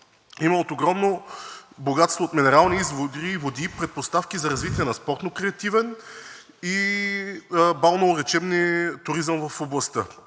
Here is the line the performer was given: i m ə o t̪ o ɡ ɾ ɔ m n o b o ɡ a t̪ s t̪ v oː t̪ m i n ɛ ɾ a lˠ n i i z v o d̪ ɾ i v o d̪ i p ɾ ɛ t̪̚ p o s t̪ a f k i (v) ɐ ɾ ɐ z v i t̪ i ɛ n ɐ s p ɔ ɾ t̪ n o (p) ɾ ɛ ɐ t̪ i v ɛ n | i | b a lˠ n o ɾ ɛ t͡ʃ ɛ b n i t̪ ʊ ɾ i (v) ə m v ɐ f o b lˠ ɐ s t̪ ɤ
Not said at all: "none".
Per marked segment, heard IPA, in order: z, k, z

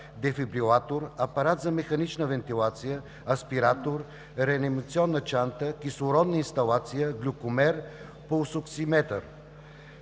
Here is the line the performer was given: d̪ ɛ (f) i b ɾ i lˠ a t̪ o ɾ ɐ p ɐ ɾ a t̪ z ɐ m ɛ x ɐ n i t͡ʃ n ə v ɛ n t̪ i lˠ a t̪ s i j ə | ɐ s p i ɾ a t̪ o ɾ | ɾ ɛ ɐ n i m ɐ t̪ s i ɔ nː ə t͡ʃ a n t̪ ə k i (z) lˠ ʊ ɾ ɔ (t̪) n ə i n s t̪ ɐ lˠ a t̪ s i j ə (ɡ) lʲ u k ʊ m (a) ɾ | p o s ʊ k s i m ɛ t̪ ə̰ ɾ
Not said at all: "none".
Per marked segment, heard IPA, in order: f, s, d̪, ɡ, ɛ

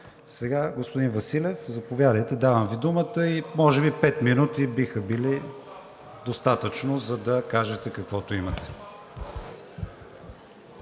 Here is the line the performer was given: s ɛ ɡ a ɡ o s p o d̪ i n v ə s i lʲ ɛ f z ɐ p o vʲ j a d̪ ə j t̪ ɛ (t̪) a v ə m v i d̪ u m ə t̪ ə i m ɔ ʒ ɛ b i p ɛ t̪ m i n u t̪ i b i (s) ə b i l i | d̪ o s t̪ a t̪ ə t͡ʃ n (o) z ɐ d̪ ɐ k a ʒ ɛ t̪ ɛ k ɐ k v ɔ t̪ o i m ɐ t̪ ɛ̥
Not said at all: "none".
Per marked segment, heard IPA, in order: d̪, x, o

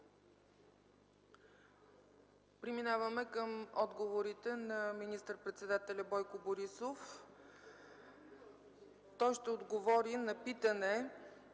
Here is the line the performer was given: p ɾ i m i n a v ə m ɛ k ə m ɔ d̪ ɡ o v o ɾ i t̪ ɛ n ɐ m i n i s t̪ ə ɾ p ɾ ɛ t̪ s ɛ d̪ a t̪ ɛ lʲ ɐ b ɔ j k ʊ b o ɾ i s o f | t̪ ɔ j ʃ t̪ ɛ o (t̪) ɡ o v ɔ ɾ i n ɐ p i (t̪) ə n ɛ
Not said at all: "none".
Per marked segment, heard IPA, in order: d̪, t̪

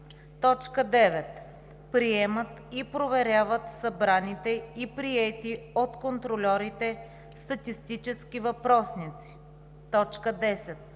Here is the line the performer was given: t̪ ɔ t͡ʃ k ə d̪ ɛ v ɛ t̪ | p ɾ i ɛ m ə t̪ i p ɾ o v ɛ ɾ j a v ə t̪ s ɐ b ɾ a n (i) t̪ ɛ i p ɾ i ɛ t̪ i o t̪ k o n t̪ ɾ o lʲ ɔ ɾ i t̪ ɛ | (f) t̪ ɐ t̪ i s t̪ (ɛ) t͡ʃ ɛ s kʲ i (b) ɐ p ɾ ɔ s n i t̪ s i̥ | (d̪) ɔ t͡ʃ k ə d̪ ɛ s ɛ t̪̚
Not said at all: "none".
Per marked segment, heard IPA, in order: i, s, i, v, t̪

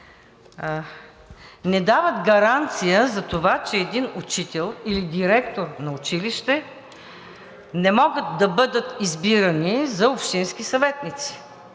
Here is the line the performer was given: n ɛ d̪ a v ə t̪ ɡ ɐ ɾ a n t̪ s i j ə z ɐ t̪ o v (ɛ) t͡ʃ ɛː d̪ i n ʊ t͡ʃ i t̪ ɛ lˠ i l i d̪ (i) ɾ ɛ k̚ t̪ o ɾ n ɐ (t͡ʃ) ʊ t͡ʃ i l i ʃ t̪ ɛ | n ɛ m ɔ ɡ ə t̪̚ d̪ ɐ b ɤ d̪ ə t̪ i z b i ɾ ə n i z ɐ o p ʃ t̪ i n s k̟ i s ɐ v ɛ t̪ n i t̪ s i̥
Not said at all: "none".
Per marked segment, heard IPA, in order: a, i, none

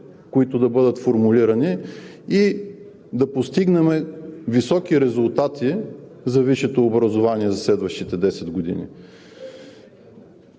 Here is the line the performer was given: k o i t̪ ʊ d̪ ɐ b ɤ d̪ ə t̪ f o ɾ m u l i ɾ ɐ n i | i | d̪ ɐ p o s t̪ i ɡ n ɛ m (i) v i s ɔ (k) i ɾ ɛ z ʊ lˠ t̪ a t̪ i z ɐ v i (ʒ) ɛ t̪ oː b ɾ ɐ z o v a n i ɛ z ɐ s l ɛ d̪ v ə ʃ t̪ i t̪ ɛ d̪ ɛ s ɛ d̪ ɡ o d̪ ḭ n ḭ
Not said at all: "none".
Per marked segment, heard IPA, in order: ɛ, k, ʃ

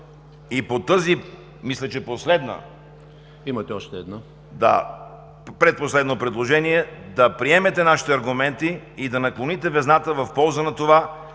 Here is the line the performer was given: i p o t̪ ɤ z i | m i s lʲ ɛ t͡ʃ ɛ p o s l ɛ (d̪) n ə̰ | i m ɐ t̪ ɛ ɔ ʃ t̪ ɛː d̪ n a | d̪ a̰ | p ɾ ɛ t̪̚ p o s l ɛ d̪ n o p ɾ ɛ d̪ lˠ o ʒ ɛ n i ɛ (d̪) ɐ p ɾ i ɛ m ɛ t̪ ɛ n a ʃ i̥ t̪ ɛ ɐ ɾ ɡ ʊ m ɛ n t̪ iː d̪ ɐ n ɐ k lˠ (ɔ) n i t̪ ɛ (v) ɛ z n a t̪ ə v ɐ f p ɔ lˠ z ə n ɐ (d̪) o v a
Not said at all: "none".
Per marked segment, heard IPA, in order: d̪, d̪, o, v, t̪

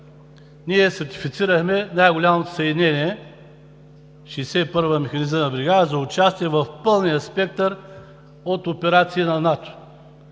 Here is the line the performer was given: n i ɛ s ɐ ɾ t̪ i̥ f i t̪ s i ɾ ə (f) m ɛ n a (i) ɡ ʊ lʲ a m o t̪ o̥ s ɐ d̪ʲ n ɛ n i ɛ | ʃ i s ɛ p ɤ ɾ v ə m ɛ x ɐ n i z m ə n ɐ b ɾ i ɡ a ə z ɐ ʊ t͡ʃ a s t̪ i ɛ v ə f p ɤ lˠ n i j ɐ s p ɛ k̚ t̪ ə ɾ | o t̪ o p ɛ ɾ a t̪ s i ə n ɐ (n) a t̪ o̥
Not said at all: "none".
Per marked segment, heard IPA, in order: x, j, n

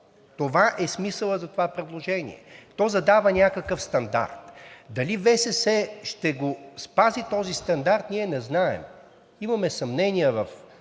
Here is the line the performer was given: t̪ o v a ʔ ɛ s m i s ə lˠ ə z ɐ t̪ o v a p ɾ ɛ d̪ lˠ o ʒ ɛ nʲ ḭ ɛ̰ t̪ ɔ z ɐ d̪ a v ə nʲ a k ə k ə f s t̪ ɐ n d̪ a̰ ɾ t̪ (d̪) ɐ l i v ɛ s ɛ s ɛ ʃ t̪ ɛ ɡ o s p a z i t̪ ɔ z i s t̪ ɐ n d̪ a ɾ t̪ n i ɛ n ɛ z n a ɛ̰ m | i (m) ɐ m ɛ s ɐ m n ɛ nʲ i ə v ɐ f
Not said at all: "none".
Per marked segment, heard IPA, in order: d̪, m

